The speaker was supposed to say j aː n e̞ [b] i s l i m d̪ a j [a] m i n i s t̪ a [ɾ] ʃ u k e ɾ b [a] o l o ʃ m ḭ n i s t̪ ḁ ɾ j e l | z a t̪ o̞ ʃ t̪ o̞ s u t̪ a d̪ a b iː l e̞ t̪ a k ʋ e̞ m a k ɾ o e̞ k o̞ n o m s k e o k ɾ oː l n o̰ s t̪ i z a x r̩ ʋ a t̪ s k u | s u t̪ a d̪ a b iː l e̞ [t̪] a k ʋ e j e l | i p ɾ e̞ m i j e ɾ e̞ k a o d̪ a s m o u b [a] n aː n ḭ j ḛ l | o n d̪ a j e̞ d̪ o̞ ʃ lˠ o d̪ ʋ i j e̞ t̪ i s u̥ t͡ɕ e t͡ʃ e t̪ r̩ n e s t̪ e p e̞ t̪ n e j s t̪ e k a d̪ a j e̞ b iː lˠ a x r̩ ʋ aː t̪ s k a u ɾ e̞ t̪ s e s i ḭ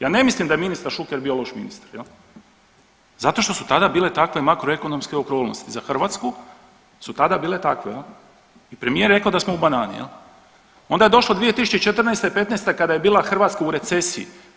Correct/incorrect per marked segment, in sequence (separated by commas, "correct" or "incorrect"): incorrect, incorrect, correct, incorrect, correct, correct